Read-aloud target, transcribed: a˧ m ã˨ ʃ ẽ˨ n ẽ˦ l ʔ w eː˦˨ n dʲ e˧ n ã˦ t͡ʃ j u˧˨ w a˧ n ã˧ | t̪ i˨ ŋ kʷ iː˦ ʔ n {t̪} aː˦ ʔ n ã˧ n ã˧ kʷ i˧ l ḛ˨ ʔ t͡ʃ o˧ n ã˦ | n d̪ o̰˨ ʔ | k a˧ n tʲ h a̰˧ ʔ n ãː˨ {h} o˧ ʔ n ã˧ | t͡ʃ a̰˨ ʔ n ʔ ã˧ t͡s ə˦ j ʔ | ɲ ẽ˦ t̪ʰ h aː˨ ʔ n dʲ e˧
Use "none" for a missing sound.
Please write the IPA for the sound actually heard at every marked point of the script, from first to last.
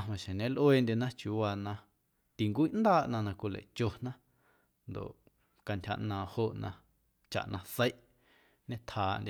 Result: d̪, h

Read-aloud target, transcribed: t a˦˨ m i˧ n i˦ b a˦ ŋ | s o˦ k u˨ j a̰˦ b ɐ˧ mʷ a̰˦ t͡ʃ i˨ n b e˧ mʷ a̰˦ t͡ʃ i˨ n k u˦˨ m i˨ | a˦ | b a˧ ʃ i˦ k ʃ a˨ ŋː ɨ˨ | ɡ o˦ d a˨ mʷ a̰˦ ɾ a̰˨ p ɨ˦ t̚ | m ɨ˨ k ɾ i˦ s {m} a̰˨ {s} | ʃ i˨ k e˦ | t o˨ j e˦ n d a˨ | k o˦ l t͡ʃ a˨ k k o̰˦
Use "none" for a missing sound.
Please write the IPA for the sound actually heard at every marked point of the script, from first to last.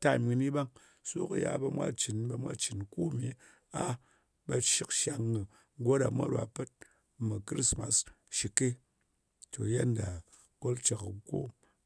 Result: m, s

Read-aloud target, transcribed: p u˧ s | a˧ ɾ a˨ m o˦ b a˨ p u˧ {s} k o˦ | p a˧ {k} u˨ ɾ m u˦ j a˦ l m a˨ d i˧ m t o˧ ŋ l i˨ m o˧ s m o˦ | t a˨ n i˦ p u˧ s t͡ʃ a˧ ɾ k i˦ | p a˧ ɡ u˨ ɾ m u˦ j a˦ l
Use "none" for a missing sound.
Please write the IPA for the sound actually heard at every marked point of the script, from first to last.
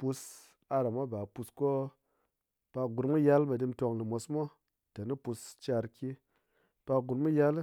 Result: s, ɡ

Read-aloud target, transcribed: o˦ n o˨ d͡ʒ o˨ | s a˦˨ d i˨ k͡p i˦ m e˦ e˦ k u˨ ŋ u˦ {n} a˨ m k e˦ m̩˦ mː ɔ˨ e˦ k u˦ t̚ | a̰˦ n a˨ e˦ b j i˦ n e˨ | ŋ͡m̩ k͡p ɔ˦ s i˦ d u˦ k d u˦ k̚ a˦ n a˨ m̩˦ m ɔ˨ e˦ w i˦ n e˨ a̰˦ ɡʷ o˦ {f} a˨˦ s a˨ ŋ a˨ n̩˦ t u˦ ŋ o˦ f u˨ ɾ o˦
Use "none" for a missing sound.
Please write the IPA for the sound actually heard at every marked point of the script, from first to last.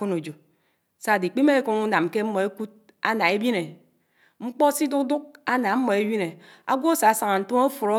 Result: n, s

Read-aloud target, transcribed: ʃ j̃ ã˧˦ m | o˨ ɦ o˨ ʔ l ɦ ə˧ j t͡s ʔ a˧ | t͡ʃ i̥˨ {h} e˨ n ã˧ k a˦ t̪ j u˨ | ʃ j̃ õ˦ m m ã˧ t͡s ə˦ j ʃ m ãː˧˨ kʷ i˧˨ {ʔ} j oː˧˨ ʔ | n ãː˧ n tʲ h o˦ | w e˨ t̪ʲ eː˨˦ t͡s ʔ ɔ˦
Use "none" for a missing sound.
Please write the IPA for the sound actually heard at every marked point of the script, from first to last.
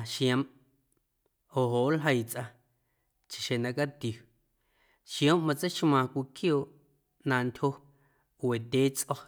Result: ʃ, k

